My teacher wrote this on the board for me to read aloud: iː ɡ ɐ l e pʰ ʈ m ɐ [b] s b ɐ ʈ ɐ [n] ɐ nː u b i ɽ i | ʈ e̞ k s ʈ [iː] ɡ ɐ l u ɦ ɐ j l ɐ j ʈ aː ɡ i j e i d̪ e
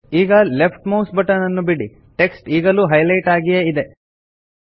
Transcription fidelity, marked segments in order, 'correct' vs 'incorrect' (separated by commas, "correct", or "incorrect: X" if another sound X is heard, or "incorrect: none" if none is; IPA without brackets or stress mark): incorrect: w, correct, correct